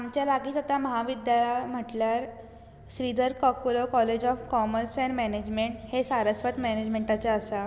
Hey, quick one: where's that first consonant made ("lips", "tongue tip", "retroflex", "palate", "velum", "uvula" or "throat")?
lips